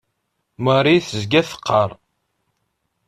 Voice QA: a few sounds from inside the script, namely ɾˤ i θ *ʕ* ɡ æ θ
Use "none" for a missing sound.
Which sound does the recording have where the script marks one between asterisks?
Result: z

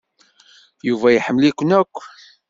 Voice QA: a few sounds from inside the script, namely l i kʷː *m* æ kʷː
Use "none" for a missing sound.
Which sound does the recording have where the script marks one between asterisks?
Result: n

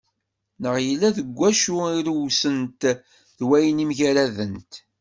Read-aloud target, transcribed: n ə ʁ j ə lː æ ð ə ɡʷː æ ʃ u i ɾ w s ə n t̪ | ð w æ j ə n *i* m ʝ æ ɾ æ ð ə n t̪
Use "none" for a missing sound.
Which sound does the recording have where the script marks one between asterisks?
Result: i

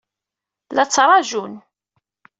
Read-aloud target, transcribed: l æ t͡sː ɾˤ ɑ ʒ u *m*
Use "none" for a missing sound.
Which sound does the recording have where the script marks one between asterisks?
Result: n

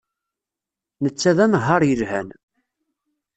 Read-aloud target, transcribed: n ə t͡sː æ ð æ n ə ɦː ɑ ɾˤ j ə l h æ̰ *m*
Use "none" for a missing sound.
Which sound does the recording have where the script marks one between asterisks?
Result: n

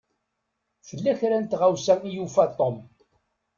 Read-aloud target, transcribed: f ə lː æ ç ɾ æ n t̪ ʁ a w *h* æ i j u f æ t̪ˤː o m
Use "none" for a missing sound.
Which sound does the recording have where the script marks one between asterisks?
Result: s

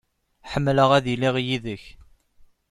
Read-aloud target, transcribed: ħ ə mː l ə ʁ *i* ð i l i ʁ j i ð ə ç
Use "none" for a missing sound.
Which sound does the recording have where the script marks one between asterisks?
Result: æ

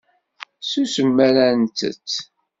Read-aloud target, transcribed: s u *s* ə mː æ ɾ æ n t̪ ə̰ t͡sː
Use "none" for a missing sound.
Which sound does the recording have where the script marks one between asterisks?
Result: s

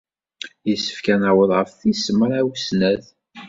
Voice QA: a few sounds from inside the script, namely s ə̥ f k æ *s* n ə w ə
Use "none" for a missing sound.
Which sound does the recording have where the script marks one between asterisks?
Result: none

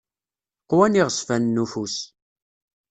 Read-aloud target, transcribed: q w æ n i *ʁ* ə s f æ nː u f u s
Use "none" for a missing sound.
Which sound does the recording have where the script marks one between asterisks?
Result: ʁ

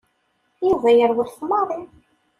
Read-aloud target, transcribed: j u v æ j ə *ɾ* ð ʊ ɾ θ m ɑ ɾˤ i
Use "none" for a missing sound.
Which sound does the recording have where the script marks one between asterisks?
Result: ɾ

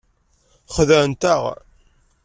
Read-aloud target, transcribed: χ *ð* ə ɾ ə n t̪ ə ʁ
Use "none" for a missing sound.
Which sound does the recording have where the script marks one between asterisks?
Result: ð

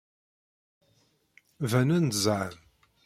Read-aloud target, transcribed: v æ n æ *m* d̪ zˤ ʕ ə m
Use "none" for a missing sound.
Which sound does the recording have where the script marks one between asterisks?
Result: n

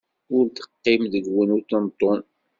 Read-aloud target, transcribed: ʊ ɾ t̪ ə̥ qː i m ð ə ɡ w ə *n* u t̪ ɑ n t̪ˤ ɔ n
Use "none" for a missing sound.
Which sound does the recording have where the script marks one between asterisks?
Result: n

